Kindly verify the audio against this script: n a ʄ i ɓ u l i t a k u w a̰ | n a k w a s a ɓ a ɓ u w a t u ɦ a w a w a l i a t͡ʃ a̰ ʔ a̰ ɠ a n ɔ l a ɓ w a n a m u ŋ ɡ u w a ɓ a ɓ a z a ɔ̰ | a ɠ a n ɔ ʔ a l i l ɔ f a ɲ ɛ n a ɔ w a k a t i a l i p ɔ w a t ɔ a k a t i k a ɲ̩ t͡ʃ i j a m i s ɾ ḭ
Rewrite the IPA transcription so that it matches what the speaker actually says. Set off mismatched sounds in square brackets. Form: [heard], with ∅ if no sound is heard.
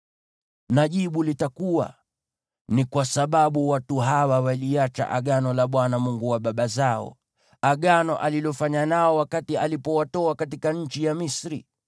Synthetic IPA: n a ʄ i ɓ u l i t a k u w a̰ | n [i] k w a s a ɓ a ɓ u w a t u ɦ a w a w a l i a t͡ʃ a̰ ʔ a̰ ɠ a n ɔ l a ɓ w a n a m u ŋ ɡ u w a ɓ a ɓ a z a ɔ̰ | a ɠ a n ɔ ʔ a l i l ɔ f a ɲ [a] n a ɔ w a k a t i a l i p ɔ w a t ɔ a k a t i k a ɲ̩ t͡ʃ i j a m i s ɾ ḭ